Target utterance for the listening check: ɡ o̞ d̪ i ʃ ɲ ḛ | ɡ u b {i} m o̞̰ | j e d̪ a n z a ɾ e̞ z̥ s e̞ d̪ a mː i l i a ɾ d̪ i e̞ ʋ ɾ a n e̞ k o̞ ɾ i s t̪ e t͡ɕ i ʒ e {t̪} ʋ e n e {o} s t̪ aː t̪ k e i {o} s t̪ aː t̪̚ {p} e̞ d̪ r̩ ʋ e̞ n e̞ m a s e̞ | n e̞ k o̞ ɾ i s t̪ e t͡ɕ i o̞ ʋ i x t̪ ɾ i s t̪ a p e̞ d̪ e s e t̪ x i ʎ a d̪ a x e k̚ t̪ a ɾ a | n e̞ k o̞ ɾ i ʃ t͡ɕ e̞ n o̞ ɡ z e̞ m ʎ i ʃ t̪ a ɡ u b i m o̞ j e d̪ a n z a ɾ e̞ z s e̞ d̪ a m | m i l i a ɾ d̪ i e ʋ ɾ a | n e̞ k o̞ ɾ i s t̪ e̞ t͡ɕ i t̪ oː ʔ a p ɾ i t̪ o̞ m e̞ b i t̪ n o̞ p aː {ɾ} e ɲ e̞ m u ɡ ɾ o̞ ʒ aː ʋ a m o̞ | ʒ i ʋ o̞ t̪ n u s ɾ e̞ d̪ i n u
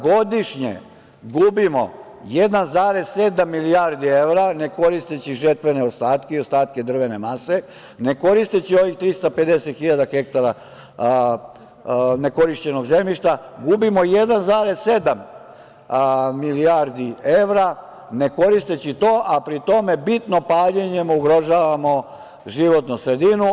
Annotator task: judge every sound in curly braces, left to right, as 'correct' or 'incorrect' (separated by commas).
correct, correct, correct, correct, incorrect, incorrect